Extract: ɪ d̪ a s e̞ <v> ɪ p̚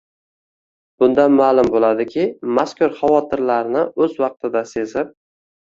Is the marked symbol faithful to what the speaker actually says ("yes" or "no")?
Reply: no